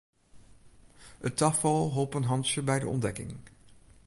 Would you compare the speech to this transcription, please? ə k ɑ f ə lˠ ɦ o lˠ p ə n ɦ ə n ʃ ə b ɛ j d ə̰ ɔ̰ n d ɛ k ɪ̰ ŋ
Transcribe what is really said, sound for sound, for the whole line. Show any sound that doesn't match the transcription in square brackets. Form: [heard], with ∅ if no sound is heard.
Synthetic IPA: ə [t] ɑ f [ɑ] lˠ ɦ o lˠ p ə n ɦ [ɑ] n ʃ ə b ɛ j d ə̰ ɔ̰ n d ɛ k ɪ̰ ŋ